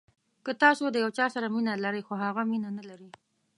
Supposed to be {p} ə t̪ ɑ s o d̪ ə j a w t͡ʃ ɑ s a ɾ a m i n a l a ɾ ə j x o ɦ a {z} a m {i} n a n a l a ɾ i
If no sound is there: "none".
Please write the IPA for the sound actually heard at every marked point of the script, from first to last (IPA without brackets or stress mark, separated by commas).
k, ɣ, i